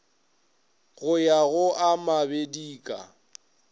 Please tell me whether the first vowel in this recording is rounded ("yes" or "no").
yes